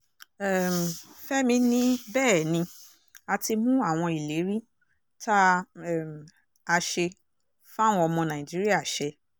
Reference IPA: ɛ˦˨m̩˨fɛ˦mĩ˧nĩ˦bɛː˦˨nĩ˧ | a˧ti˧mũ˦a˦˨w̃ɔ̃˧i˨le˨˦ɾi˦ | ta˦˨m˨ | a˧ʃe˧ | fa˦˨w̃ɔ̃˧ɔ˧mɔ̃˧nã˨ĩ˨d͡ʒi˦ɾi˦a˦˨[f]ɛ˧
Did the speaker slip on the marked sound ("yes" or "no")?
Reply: yes